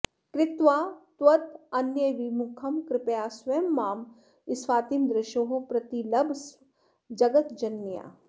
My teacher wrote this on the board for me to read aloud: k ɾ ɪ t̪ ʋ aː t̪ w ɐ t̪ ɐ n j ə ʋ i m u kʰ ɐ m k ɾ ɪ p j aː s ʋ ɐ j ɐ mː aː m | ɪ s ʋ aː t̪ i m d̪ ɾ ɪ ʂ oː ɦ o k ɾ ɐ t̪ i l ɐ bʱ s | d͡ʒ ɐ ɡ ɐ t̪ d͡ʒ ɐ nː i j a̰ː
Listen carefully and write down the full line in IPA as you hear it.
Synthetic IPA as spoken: k ɾ ɪ t̪ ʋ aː t̪ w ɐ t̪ ɐ n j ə ʋ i m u kʰ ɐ m k ɾ ɪ p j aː s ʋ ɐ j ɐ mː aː m | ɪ s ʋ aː t̪ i m d̪ ɾ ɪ ʃ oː ɦ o p ɾ ɐ t̪ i l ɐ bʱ s | d͡ʒ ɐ ɡ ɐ t̪ d͡ʒ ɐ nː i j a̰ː